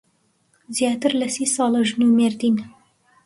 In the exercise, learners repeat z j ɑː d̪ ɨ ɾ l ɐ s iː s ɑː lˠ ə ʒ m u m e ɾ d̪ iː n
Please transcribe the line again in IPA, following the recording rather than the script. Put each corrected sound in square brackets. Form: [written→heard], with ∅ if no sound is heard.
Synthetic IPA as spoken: z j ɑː [d̪→t̪] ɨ ɾ l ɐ s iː s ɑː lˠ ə ʒ [m→n] u m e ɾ d̪ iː n